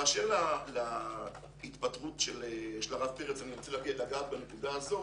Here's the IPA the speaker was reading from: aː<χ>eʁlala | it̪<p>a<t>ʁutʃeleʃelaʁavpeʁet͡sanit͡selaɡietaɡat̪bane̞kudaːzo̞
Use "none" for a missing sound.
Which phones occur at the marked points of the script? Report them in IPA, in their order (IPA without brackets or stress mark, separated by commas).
ʃ, p, t